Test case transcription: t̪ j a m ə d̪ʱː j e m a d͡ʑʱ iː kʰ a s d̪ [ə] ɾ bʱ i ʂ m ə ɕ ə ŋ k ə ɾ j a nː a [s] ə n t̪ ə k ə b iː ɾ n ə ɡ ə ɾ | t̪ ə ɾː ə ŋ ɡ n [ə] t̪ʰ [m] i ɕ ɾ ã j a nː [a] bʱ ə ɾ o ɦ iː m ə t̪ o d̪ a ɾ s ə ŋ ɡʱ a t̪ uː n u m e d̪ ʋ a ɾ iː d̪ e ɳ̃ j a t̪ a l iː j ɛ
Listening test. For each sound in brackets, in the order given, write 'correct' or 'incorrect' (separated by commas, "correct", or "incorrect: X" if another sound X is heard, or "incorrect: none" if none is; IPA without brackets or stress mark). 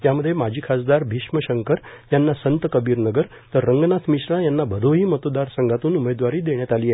incorrect: a, correct, incorrect: a, correct, correct